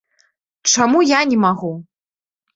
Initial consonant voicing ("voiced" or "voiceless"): voiceless